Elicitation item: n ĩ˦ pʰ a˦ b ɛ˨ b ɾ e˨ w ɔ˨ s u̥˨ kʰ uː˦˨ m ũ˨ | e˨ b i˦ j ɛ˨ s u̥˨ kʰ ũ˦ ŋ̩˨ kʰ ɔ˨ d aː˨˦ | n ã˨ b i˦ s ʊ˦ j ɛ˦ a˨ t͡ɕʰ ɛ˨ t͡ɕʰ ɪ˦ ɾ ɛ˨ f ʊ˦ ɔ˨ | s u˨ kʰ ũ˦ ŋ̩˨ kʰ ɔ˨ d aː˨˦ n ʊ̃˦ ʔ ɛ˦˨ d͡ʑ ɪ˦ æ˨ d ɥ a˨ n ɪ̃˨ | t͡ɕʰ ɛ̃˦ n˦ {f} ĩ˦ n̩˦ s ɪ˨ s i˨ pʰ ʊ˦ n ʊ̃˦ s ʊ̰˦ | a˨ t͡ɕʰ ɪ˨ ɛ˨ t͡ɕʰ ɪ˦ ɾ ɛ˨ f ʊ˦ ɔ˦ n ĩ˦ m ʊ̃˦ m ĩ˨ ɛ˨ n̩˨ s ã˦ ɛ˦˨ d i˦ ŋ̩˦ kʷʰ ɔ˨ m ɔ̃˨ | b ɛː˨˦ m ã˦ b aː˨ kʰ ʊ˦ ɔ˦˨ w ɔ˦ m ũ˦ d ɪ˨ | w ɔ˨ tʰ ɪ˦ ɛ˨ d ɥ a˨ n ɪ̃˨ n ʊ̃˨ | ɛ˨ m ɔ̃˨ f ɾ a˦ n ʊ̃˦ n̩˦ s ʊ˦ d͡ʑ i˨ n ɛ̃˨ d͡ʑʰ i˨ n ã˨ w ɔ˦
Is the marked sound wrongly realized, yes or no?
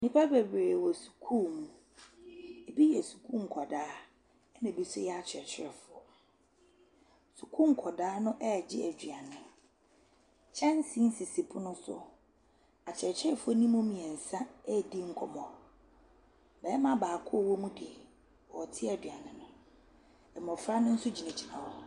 yes